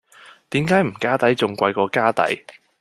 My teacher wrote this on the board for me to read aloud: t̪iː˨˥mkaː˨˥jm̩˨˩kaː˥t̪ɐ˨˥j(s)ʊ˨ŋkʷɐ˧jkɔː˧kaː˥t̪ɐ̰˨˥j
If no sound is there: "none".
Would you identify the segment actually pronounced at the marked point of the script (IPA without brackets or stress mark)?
t͡s